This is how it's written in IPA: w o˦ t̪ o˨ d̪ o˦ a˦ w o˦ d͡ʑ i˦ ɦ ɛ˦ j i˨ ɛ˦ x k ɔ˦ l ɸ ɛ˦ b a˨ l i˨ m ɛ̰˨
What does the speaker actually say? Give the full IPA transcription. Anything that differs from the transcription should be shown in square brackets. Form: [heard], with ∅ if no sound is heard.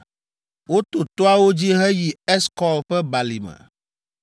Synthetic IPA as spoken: w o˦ t̪ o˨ [t̪] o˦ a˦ w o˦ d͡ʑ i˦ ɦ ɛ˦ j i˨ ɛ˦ [s] k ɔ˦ l ɸ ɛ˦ b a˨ l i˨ m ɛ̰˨